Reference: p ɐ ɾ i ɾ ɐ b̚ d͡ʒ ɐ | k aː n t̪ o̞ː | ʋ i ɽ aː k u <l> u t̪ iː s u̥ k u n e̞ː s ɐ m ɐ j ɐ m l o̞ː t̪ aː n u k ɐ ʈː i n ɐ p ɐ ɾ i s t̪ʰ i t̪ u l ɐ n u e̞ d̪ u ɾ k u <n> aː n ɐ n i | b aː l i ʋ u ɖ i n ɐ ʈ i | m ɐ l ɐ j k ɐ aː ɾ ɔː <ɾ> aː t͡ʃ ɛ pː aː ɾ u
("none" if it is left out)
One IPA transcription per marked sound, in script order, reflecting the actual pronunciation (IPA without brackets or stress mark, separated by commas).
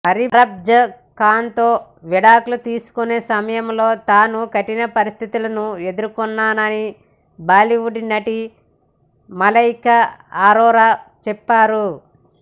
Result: l, nː, ɾ